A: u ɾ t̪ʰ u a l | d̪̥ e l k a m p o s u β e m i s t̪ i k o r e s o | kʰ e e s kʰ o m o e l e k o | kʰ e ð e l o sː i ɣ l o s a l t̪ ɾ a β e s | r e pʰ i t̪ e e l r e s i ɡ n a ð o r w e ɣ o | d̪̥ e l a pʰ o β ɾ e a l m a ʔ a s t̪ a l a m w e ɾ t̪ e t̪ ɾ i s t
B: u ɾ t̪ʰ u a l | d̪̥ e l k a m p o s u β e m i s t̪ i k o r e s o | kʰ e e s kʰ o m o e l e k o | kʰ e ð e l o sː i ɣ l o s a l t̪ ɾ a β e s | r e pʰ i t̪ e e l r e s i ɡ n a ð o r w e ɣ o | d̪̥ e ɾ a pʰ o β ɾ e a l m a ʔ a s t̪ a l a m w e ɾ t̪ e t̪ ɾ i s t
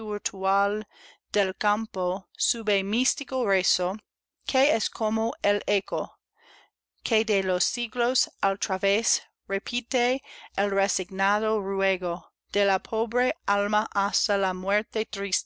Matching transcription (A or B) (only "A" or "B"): A